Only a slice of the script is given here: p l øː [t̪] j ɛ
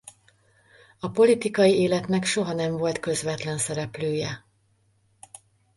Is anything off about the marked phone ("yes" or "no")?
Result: yes